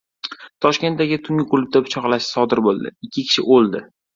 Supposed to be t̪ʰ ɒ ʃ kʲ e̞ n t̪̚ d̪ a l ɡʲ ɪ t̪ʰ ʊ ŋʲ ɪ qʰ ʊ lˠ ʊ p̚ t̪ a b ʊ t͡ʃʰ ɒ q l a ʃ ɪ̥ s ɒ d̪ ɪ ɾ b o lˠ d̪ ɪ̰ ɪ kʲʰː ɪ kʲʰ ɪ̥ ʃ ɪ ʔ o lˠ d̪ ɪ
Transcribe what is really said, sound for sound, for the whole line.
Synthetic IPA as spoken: t̪ʰ ɒ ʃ kʲ e̞ n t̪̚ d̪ a ɡʲ ɪ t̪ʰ ʊ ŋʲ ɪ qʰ ʊ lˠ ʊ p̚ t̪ a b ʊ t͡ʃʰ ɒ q l a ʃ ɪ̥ s ɒ d̪ ɪ ɾ b o lˠ d̪ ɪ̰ ɪ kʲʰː ɪ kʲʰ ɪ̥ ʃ ɪ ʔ o lˠ d̪ ɪ